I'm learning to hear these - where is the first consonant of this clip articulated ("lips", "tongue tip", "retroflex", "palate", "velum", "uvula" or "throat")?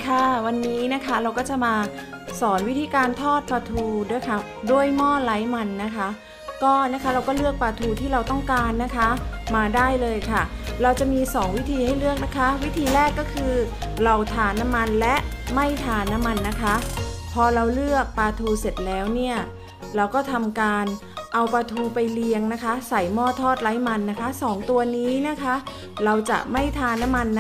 velum